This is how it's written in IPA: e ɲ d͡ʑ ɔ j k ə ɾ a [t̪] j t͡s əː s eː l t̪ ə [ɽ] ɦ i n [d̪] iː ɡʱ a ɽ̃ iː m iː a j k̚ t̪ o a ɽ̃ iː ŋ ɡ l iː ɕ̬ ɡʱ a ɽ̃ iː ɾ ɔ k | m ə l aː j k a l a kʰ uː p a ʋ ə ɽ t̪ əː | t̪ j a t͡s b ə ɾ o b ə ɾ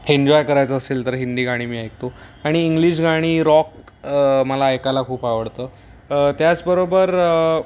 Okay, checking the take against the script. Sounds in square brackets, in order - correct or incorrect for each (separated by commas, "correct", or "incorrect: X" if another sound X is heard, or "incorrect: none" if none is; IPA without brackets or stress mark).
incorrect: none, incorrect: ɾ, correct